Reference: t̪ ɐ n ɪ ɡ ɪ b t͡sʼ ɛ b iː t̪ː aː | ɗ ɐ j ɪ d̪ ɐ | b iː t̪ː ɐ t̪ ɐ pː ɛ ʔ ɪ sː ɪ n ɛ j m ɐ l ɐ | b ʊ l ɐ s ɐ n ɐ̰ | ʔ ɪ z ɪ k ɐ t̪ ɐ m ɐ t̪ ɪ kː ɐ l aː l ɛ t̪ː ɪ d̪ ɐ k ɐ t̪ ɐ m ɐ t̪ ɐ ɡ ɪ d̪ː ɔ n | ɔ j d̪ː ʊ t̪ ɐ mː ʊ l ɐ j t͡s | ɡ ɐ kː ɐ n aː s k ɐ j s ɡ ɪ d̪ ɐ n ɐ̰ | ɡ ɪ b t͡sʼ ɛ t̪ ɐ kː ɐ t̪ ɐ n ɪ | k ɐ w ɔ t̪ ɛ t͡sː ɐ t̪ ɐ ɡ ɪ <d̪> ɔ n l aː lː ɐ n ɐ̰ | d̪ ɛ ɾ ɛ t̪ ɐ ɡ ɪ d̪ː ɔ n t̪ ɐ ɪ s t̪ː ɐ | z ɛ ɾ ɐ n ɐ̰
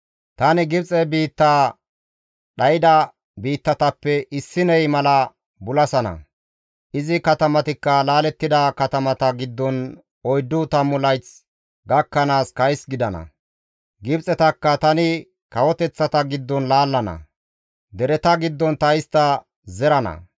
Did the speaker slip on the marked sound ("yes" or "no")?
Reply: yes